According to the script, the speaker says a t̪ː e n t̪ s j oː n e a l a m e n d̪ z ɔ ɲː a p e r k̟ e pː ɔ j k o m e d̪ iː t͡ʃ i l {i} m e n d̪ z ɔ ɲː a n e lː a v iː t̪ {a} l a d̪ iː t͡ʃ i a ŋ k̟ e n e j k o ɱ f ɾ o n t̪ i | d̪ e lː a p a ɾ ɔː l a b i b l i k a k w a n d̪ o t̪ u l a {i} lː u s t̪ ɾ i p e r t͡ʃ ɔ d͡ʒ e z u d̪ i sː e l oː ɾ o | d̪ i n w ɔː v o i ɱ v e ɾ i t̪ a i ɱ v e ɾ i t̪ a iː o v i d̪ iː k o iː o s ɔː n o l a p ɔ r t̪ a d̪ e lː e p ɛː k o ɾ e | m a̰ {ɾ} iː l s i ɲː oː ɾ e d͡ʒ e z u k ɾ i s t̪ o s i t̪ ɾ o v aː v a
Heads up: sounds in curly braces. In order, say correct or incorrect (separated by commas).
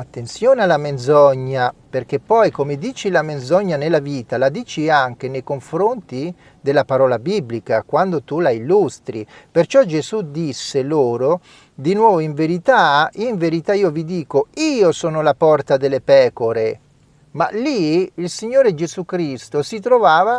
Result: incorrect, correct, correct, incorrect